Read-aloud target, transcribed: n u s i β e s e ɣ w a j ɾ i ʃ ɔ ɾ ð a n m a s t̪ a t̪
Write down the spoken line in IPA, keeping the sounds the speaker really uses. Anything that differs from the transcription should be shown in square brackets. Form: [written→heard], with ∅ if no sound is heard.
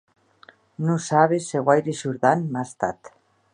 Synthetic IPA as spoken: n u s [i→a] β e s e ɣ w a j ɾ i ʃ [ɔ→u] ɾ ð a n m a s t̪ a t̪